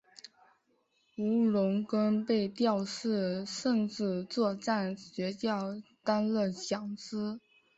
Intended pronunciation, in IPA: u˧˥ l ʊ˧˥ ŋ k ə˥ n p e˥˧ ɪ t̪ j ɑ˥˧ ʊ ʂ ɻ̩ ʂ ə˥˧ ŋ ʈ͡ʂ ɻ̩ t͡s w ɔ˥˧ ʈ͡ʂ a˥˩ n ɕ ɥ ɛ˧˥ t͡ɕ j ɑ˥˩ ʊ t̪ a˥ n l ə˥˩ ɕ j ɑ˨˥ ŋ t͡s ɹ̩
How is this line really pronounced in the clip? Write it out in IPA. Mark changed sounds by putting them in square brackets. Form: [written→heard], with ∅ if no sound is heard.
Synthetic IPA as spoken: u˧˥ l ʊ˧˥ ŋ k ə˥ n p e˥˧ ɪ t̪ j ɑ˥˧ ʊ ʂ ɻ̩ ʂ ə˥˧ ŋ ʈ͡ʂ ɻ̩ t͡s w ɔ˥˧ ʈ͡ʂ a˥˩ n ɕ ɥ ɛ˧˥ t͡ɕ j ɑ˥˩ ʊ t̪ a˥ n l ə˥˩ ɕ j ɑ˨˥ ŋ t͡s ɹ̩